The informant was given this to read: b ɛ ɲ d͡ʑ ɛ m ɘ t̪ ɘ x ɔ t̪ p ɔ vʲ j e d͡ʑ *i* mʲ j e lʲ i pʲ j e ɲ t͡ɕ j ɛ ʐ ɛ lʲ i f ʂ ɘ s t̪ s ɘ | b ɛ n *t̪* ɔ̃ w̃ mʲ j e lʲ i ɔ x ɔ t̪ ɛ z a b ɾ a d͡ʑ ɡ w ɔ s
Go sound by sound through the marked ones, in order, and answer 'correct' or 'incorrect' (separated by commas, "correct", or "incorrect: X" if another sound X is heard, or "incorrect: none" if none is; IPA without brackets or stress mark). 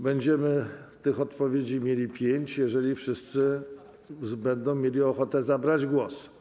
correct, incorrect: d̪